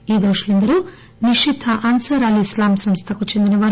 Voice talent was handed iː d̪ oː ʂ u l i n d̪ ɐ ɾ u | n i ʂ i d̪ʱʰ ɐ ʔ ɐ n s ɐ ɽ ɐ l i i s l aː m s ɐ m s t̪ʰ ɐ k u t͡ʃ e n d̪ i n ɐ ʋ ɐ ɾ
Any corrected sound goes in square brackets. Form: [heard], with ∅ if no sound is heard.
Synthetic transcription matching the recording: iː d̪ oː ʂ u l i n d̪ ɐ ɾ u | n i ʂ i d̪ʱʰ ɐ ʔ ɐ n s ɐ [ɾ] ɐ l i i s l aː m s ɐ m s t̪ʰ ɐ k u t͡ʃ e n d̪ i n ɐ ʋ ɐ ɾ

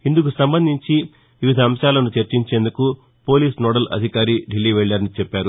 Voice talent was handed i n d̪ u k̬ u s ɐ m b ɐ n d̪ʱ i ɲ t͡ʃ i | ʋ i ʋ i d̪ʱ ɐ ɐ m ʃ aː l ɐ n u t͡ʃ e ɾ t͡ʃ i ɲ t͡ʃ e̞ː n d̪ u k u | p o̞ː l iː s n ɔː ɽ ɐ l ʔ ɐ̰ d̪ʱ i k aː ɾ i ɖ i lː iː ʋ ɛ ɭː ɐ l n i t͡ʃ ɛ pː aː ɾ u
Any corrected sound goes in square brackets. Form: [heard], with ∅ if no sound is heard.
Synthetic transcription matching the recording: i n d̪ u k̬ u s ɐ m b ɐ n d̪ʱ i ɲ t͡ʃ i | ʋ i ʋ i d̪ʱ ɐ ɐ m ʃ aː l ɐ n u t͡ʃ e ɾ t͡ʃ i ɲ t͡ʃ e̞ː n d̪ u k u | p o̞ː l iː s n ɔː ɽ ɐ l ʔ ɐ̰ d̪ʱ i k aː ɾ i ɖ i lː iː ʋ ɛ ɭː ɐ [ɾ] n i t͡ʃ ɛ pː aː ɾ u

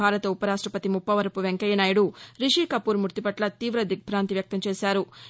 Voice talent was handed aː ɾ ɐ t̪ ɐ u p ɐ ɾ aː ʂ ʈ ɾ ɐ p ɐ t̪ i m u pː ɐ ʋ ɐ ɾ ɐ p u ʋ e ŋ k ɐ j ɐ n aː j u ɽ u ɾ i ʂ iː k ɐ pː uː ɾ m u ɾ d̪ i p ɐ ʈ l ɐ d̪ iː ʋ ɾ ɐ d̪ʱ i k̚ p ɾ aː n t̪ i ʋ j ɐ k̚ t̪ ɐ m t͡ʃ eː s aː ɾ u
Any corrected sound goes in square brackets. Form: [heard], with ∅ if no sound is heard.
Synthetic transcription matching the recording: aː ɾ ɐ t̪ ɐ u p ɐ ɾ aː ʂ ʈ ɾ ɐ p ɐ t̪ i m u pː ɐ ʋ ɐ ɾ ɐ p u ʋ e ŋ k ɐ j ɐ n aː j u ɽ u ɾ i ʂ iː k ɐ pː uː ɾ m u ɾ [t̪] i p ɐ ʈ l ɐ [t̪] iː ʋ ɾ ɐ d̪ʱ i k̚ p ɾ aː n t̪ i ʋ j ɐ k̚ t̪ ɐ m t͡ʃ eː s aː ɾ u

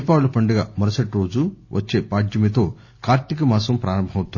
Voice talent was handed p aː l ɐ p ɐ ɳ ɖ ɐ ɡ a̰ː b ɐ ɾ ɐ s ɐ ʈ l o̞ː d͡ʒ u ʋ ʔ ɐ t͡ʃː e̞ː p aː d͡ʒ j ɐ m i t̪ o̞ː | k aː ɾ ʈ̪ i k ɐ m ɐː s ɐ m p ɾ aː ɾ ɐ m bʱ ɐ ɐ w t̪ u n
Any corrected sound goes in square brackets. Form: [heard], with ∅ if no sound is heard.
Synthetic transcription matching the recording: p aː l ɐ p ɐ ɳ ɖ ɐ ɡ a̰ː [m] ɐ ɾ ɐ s ɐ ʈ [ɾ] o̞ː d͡ʒ u ʋ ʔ ɐ t͡ʃː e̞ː p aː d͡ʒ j ɐ m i t̪ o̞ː | k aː ɾ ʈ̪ i k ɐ m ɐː s ɐ m p ɾ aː ɾ ɐ m bʱ ɐ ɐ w t̪ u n

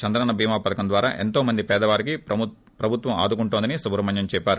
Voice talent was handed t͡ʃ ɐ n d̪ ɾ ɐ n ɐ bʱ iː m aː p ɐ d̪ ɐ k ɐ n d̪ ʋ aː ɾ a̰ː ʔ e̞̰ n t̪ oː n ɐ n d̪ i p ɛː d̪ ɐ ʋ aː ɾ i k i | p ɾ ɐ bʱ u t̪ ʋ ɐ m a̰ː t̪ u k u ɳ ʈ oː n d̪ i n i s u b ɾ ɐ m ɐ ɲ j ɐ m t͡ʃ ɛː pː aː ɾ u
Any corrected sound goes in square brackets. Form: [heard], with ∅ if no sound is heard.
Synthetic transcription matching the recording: t͡ʃ ɐ n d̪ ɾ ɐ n ɐ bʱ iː m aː p ɐ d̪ ɐ k ɐ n d̪ ʋ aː ɾ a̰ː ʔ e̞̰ n t̪ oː [m] ɐ n d̪ i p ɛː d̪ ɐ ʋ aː ɾ i k i | p ɾ ɐ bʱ u t̪ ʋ ɐ m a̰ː [d̪] u k u ɳ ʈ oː n d̪ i n i s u b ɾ ɐ m ɐ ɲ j ɐ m t͡ʃ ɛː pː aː ɾ u

